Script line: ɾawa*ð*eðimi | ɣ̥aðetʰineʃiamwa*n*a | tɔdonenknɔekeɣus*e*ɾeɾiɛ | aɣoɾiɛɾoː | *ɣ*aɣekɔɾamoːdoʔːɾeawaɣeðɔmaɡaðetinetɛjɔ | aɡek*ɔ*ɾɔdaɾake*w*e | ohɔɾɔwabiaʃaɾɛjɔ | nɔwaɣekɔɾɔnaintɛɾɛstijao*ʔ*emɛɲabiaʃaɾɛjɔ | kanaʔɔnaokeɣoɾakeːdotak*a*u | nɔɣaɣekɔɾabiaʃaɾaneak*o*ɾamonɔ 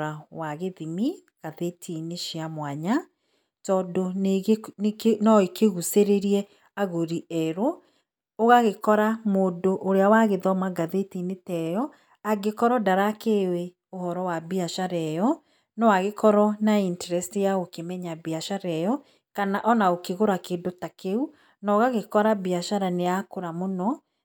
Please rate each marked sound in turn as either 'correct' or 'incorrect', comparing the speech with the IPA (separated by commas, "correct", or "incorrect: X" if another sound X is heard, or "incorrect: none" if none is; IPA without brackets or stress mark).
incorrect: ɣ, incorrect: ɲ, correct, correct, correct, correct, incorrect: k, incorrect: e, correct